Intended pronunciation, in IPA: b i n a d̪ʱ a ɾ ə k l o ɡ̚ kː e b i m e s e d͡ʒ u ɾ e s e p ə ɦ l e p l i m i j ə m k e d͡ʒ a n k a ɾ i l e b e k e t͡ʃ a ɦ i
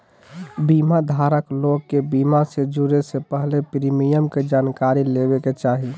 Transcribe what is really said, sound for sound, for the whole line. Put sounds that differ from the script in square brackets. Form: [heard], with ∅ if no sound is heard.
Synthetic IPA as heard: b i [m] a d̪ʱ a ɾ ə k l o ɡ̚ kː e b i m [a] s e d͡ʒ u ɾ e s e p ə ɦ l e p [ɾ] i m i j ə m k e d͡ʒ a n k a ɾ i l e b e k e t͡ʃ a ɦ i